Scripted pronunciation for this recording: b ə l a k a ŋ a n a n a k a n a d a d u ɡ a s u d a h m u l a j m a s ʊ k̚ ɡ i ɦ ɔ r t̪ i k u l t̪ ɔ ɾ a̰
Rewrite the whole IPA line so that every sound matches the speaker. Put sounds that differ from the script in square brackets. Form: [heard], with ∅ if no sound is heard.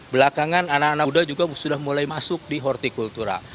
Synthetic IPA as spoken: b ə l a k a ŋ a n a n a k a n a d a [d͡ʒ] u ɡ a s u d a h m u l a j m a s ʊ k̚ [d] i ɦ ɔ r t̪ i k u l t̪ [u] ɾ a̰